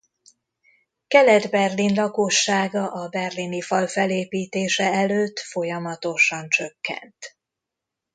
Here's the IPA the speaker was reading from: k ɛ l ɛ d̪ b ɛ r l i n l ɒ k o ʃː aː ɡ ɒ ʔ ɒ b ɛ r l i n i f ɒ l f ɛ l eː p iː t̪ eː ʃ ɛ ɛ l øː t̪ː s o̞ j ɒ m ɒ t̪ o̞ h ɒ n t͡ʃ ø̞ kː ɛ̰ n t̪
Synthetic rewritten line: k ɛ l ɛ d̪ b ɛ r l i n l ɒ k o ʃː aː ɡ ɒ ʔ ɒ b ɛ r l i n i f ɒ l f ɛ l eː p iː t̪ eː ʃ ɛ ɛ l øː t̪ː f o̞ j ɒ m ɒ t̪ o̞ ʃ ɒ n t͡ʃ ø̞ kː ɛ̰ n t̪